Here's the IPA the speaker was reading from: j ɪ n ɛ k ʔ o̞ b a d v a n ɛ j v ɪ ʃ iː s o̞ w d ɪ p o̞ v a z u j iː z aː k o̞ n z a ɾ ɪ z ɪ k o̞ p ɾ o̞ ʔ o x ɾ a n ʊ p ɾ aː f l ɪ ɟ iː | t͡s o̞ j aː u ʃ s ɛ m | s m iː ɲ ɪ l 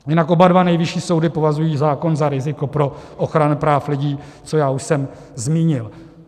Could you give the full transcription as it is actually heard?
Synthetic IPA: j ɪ n a k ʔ o̞ b a d v a n ɛ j v ɪ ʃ iː s o̞ w d ɪ p o̞ v a z u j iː z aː k o̞ n z a ɾ ɪ z ɪ k o̞ p ɾ o̞ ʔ o x ɾ a n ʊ p ɾ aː f l ɪ ɟ iː | t͡s o̞ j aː u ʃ s ɛ m | z m iː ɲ ɪ l